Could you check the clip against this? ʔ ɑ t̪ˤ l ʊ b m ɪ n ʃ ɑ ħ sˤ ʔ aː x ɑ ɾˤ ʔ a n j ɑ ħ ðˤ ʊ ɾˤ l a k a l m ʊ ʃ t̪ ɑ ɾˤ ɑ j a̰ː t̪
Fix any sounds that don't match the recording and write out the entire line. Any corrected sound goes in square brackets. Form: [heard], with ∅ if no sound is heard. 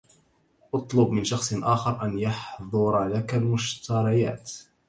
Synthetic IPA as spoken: ʔ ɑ t̪ˤ l ʊ b m ɪ n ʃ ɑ [x] sˤ ʔ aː x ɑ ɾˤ ʔ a n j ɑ ħ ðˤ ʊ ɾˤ l a k a l m ʊ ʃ t̪ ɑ ɾˤ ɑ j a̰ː t̪

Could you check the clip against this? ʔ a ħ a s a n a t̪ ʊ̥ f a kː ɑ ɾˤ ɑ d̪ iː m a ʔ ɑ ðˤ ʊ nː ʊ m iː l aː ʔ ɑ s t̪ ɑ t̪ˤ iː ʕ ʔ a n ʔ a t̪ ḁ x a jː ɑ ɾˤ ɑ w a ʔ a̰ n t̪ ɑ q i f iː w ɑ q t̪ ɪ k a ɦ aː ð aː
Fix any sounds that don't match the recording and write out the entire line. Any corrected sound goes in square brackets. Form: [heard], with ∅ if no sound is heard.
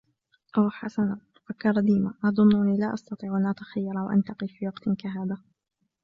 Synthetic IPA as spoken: ʔ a ħ a s a n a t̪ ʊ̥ f a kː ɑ ɾˤ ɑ d̪ iː m a ʔ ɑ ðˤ ʊ nː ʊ [n] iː l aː ʔ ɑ s t̪ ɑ t̪ˤ iː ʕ ʔ a n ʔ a t̪ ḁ x a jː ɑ ɾˤ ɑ w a ʔ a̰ n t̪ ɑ q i f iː w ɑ q t̪ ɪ k a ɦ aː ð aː

